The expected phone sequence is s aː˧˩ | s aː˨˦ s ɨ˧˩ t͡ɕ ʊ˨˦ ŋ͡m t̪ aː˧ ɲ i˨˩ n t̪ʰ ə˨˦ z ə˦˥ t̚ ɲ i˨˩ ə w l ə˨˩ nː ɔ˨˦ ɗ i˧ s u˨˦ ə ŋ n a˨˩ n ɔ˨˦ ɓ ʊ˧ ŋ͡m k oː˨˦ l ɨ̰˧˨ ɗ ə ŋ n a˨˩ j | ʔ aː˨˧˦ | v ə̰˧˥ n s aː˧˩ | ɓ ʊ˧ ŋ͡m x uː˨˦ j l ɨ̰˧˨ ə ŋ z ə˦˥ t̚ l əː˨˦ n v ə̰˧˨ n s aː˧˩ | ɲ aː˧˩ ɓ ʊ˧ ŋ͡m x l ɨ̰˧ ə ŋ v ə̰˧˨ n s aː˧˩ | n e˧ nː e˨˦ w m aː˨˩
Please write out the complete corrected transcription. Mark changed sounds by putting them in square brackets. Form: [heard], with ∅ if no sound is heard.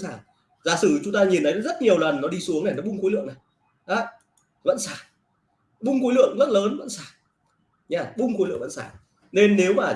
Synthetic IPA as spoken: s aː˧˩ | [z] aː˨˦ s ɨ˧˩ t͡ɕ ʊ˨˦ ŋ͡m t̪ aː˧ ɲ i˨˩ n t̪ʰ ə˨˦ z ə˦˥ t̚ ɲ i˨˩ ə w l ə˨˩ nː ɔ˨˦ ɗ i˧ s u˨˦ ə ŋ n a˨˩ n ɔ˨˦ ɓ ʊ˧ ŋ͡m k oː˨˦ l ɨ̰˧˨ [∅] ə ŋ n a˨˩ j | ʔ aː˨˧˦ | v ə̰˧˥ n s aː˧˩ | ɓ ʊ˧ ŋ͡m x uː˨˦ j l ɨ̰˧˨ ə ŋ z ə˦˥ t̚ l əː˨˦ n v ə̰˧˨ n s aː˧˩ | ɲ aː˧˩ ɓ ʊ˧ ŋ͡m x l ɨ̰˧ ə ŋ v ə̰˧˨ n s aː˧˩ | n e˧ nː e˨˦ w m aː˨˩